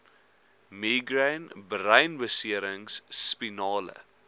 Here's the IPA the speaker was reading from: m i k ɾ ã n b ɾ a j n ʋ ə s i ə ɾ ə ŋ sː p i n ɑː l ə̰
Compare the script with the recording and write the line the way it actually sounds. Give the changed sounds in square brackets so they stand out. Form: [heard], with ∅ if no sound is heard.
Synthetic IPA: m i [ɡ] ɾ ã n b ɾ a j n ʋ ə s i ə ɾ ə ŋ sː p i n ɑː l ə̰